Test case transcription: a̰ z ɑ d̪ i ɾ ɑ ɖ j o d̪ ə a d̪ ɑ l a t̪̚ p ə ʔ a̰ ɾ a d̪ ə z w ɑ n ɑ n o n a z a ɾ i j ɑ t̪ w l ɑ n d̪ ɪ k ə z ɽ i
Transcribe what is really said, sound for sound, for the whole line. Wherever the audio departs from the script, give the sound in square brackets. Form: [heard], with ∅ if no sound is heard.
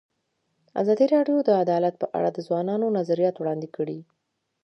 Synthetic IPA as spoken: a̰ z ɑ d̪ i ɾ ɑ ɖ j o d̪ ə a d̪ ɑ l a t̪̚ p ə ʔ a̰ [ɽ] a d̪ ə z w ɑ n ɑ n o n a z a ɾ i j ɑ t̪ w [ɽ] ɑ n d̪ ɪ k ə [∅] ɽ i